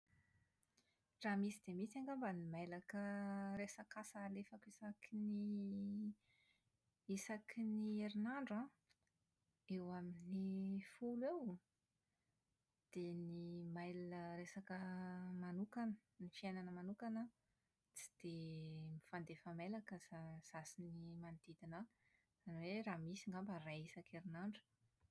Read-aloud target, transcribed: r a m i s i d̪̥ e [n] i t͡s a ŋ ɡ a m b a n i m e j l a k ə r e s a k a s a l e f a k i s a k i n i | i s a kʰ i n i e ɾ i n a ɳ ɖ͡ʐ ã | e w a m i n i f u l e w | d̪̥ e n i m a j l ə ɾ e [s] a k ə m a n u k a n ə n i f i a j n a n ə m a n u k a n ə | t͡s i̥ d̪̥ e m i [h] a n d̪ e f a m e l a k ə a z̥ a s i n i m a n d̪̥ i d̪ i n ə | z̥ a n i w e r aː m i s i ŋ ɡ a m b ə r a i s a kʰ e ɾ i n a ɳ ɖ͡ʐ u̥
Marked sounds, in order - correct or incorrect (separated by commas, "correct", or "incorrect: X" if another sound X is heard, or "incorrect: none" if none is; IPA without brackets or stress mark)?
incorrect: m, correct, incorrect: f